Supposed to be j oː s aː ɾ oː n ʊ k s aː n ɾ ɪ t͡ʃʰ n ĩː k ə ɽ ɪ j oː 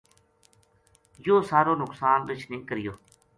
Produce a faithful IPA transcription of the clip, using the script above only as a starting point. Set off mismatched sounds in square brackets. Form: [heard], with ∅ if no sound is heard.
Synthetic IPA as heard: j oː s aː ɾ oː n ʊ k s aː n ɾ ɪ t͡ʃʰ n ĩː k ə [ɾ] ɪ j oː

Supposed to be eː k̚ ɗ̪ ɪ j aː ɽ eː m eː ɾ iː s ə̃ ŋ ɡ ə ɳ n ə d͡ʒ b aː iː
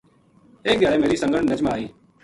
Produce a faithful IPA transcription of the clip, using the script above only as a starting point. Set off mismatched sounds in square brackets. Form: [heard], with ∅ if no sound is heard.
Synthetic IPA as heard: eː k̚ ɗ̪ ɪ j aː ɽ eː m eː ɾ iː s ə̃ ŋ ɡ ə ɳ n ə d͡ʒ [m] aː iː

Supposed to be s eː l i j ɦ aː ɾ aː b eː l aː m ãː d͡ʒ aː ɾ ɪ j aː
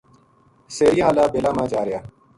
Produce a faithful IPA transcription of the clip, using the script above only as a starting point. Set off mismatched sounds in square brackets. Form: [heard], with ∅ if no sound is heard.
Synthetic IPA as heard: s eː [ɾ] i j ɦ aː [l] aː b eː l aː m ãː d͡ʒ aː ɾ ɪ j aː

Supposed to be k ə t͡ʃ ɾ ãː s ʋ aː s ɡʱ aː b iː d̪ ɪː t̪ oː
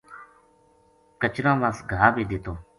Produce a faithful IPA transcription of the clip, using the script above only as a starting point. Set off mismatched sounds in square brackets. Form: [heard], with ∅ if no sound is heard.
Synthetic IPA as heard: k ə t͡ʃ ɾ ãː [∅] ʋ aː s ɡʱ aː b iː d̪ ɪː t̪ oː

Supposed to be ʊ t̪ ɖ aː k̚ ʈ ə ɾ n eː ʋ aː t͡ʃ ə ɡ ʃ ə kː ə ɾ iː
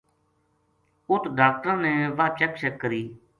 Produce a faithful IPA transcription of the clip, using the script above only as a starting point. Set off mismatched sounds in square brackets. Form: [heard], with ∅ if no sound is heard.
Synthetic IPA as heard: ʊ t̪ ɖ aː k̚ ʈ ə ɾ n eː ʋ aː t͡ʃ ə [k] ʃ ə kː ə ɾ iː

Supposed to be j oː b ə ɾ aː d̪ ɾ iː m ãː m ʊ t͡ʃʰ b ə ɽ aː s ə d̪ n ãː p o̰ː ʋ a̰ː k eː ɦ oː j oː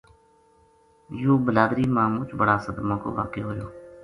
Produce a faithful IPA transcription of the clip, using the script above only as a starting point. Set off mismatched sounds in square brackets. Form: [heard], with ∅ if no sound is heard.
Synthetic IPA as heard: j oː b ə [l] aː d̪ ɾ iː m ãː m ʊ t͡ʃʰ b ə ɽ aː s ə d̪ [m] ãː [k] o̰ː ʋ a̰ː k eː ɦ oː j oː

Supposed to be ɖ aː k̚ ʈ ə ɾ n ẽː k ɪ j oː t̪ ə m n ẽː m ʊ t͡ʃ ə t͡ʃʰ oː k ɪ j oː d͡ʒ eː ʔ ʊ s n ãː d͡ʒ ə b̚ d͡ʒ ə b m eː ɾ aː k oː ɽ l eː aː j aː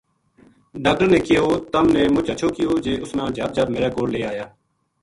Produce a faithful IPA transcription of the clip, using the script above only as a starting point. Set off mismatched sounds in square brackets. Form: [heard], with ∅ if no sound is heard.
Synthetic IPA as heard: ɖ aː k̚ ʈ ə ɾ n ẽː k ɪ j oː t̪ ə m n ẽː m ʊ t͡ʃ ə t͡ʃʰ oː k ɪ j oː d͡ʒ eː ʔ ʊ s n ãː d͡ʒ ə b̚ d͡ʒ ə b m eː ɾ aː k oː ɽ l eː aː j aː

